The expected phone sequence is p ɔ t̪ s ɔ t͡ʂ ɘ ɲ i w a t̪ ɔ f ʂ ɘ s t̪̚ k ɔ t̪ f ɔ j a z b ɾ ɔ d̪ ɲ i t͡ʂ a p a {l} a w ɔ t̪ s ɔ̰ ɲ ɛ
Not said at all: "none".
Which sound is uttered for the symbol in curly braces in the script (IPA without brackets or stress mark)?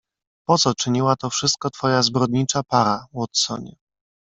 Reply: ɾ